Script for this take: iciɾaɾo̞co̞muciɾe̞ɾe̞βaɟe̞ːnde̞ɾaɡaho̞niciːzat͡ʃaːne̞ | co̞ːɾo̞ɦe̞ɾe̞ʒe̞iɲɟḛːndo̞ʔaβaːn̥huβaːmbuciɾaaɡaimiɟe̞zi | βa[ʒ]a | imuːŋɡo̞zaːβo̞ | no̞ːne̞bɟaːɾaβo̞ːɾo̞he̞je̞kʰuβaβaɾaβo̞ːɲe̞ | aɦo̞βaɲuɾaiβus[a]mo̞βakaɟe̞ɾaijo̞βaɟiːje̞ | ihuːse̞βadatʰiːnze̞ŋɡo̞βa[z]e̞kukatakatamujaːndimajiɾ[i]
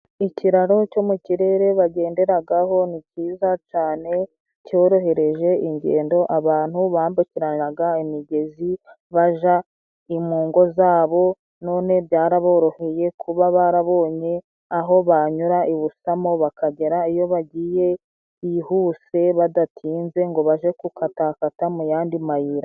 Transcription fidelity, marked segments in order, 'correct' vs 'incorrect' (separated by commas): correct, correct, incorrect, incorrect